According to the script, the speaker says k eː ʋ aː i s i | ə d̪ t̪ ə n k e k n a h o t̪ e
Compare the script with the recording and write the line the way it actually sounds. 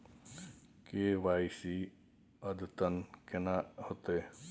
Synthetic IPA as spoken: k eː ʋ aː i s i | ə d̪ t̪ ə n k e n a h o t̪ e